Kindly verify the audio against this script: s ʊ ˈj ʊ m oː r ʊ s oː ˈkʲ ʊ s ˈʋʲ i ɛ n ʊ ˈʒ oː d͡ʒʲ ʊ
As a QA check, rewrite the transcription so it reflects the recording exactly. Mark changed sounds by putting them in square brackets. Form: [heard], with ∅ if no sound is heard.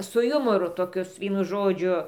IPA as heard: s ʊ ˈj ʊ m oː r ʊ [t] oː ˈkʲ ʊ s ˈʋʲ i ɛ n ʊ ˈʒ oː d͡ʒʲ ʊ